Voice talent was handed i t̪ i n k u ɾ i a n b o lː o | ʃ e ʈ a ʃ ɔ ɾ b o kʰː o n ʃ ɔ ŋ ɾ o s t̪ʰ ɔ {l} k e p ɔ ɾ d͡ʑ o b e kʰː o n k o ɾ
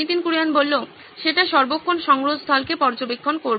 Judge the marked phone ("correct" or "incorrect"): correct